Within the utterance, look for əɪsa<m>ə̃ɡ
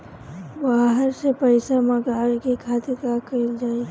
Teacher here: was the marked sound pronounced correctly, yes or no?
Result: yes